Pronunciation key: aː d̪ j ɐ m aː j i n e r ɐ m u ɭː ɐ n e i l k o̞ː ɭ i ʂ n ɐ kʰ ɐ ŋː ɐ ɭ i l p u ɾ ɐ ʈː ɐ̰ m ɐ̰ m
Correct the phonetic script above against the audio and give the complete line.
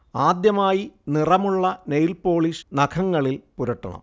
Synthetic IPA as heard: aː d̪ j ɐ m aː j i n i r ɐ m u ɭː ɐ n e j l p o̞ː ɭ i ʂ n ɐ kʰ ɐ ŋː ɐ ɭ i l p u ɾ ɐ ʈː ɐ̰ ɳ ɐ̰ m